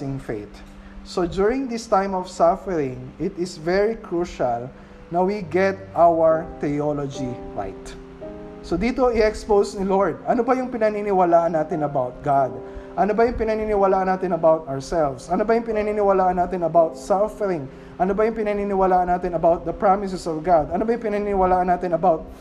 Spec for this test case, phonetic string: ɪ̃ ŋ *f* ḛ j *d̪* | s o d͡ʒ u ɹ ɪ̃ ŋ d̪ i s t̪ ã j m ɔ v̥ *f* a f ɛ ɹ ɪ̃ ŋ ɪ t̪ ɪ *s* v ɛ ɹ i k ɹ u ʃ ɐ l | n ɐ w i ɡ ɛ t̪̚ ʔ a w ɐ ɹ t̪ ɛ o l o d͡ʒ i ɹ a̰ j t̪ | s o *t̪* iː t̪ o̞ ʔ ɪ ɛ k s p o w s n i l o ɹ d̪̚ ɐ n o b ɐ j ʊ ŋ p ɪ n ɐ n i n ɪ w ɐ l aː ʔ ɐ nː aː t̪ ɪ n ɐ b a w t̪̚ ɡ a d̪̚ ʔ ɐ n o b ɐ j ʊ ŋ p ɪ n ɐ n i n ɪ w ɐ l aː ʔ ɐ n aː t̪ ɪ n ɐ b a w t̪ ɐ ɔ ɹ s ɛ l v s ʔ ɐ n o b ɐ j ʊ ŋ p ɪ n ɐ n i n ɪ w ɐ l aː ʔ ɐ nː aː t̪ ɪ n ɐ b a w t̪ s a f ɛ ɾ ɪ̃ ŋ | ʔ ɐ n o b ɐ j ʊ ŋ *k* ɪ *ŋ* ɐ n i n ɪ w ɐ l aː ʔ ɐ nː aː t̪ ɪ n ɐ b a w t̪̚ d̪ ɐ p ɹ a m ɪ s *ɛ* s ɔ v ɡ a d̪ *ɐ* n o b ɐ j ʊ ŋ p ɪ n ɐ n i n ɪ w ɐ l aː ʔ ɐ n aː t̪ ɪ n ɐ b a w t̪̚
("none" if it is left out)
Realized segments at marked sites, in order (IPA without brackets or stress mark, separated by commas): f, t̪, s, s, d̪, p, n, ɛ, ɐ